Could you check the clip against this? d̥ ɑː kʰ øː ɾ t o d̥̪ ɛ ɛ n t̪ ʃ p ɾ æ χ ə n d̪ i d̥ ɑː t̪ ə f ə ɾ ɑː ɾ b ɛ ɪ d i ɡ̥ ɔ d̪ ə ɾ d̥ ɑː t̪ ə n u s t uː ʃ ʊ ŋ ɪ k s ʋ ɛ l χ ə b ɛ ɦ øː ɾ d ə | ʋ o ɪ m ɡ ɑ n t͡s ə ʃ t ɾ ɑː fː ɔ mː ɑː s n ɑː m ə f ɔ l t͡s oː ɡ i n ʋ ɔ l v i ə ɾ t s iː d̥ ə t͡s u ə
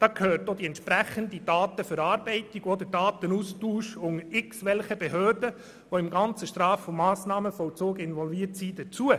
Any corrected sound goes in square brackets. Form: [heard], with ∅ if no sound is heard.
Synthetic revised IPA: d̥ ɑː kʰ øː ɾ t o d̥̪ [i] ɛ n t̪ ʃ p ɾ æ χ ə n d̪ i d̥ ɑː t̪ ə f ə ɾ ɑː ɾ b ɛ ɪ [t] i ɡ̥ ɔ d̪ ə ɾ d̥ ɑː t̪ ə n u s t uː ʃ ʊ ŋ ɪ k s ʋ ɛ l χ ə b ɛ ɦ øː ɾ d ə | ʋ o ɪ m ɡ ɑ n t͡s ə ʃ t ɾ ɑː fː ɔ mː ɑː s n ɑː m ə f ɔ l t͡s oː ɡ [ɪ] n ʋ ɔ l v i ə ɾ t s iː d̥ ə t͡s u ə